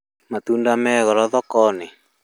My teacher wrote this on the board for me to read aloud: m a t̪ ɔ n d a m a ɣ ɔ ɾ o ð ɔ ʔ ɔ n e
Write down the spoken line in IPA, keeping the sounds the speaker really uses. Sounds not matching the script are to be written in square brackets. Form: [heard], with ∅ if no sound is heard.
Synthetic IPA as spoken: m a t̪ [u] n d a m [ɛ] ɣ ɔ ɾ [ɔ] ð ɔ [k] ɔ n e